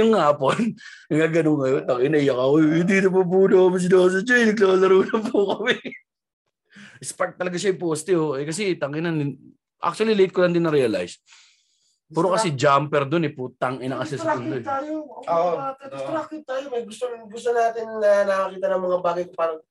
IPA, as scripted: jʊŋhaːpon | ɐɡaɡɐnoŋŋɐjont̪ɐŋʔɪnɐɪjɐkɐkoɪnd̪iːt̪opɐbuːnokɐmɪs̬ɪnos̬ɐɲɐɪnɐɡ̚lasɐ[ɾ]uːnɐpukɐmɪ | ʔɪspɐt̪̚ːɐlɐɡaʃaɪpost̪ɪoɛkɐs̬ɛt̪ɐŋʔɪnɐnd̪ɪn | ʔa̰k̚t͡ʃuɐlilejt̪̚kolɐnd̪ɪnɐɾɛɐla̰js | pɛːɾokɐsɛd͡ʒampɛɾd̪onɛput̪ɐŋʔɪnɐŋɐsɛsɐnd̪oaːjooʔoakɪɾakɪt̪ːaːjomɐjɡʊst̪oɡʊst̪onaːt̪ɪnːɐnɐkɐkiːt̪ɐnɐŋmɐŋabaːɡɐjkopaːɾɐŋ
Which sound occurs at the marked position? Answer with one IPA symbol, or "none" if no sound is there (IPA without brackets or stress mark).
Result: ɾ